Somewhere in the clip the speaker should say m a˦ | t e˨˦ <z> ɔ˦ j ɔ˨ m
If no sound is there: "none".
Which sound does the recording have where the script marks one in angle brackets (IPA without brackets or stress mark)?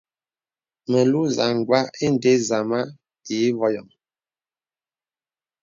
v